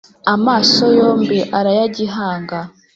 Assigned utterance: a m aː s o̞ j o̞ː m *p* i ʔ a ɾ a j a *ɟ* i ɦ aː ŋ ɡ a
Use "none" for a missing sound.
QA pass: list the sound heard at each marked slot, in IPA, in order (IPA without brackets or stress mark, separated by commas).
b, ɟ